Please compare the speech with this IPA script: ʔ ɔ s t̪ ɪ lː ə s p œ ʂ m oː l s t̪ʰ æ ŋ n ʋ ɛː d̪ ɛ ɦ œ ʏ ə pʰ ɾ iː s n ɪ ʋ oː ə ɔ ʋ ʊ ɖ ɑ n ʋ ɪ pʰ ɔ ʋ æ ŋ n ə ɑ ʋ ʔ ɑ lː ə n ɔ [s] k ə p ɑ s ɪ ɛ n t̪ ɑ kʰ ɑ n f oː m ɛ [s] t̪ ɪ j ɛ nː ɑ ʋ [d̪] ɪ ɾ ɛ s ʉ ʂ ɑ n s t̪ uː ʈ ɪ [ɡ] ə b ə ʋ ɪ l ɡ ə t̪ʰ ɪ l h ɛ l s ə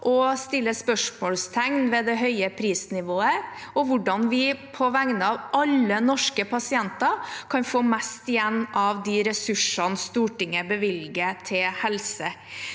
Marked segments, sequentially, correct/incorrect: incorrect: ʂ, correct, correct, incorrect: ŋ

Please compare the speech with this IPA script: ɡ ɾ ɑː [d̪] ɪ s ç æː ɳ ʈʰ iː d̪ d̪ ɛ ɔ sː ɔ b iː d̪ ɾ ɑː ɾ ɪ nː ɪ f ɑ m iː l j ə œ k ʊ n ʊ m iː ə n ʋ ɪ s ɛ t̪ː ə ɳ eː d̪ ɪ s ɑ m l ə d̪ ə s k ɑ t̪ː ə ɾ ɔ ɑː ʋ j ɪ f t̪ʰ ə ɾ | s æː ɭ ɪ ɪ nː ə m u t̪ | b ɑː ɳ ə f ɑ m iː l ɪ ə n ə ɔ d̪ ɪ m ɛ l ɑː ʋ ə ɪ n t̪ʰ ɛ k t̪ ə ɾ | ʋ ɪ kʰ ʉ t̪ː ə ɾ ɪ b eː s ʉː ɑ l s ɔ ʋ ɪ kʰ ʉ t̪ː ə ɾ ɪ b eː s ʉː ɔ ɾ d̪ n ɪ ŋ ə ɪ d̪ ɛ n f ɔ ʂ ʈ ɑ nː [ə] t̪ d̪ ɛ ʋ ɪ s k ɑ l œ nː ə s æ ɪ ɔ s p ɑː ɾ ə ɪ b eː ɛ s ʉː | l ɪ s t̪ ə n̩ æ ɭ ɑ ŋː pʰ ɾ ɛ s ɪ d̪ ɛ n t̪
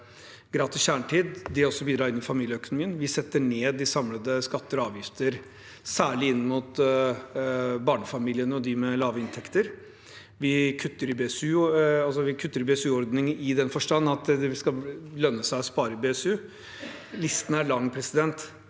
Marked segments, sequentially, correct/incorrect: incorrect: t̪, incorrect: ɑ

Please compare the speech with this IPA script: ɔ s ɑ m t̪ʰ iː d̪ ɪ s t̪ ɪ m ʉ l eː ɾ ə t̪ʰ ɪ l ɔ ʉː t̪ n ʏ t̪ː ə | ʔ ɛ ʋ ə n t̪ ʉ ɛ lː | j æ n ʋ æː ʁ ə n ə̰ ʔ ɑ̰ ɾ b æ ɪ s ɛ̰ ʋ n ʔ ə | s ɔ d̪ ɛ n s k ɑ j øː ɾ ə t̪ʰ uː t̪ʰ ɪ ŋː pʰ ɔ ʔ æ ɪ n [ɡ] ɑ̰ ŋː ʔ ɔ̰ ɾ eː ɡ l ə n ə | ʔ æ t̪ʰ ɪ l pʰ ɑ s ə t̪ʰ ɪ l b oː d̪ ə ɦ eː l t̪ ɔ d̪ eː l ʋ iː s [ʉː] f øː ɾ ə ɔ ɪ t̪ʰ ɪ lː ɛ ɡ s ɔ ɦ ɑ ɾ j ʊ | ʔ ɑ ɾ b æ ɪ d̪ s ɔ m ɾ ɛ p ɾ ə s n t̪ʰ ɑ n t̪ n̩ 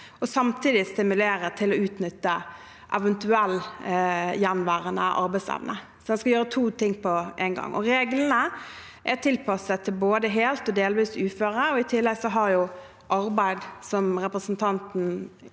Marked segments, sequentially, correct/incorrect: correct, correct

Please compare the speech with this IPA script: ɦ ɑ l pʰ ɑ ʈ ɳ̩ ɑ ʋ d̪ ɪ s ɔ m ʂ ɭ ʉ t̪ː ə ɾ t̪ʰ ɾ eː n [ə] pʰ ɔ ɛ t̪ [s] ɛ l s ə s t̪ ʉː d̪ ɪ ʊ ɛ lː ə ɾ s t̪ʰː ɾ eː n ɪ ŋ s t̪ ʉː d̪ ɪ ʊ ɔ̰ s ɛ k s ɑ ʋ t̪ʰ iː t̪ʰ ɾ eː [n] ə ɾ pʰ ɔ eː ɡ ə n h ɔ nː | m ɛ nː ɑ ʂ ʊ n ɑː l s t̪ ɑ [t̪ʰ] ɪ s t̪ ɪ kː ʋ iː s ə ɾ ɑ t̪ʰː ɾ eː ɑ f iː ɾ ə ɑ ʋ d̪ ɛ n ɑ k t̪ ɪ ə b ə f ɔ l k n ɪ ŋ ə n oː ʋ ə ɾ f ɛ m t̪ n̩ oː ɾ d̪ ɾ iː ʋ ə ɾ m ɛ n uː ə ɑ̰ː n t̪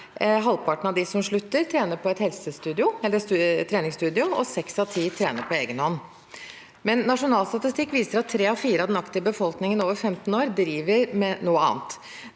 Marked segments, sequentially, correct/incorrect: correct, incorrect: h, correct, incorrect: t̪

